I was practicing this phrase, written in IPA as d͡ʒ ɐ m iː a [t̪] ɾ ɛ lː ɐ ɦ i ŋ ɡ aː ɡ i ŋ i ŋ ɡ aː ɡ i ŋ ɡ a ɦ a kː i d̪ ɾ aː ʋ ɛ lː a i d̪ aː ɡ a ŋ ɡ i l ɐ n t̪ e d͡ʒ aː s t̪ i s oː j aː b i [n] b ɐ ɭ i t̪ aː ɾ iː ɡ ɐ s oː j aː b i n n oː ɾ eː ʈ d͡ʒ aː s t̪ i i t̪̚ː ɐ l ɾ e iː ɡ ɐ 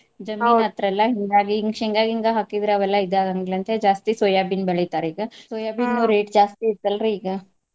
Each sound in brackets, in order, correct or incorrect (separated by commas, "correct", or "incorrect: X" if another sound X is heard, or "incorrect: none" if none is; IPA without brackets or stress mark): correct, correct